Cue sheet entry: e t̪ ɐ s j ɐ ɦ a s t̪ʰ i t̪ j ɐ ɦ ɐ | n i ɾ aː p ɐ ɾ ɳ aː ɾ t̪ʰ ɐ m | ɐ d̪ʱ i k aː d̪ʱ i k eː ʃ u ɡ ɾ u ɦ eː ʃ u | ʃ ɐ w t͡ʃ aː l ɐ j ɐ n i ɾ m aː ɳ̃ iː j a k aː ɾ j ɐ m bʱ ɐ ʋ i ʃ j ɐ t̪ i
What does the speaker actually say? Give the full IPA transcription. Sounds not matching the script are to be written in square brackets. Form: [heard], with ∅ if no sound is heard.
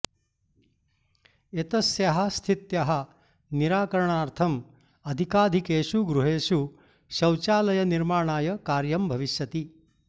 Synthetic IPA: e t̪ ɐ s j ɐ ɦ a s t̪ʰ i t̪ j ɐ ɦ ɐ | n i ɾ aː [k] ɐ ɾ ɳ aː ɾ t̪ʰ ɐ m | ɐ d̪ʱ i k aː d̪ʱ i k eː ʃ u ɡ ɾ u ɦ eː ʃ u | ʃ ɐ w t͡ʃ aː l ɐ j ɐ n i ɾ m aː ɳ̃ [aː] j [ɐ] k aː ɾ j ɐ m bʱ ɐ ʋ i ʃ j ɐ t̪ i